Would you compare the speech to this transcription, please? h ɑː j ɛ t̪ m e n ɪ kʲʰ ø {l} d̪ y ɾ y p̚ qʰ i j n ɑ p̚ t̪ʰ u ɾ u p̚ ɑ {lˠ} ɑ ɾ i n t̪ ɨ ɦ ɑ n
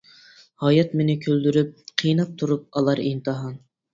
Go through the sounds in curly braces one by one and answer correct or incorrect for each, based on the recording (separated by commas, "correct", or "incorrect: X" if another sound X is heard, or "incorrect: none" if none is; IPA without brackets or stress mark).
correct, correct